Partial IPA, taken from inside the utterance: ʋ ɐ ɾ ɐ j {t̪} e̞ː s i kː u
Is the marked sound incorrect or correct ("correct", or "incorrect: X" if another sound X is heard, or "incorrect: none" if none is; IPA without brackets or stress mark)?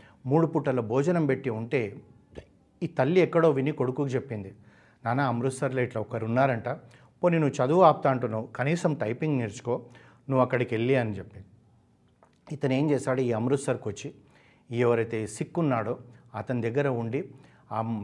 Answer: correct